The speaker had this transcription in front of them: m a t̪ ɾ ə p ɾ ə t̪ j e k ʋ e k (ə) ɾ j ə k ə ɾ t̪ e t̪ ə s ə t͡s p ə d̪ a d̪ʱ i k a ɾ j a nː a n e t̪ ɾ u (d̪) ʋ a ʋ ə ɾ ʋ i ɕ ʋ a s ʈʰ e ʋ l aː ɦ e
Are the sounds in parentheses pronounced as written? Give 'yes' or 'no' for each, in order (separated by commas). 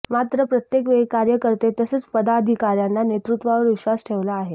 no, no